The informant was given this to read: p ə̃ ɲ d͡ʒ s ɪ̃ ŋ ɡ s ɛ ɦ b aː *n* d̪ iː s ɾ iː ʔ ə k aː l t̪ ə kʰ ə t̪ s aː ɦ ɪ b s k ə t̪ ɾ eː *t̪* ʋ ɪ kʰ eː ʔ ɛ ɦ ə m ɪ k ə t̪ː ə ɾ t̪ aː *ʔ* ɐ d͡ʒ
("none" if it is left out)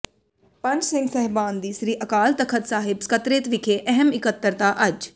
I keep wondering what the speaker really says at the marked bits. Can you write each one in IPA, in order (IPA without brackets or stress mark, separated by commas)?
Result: n, t̪, ʔ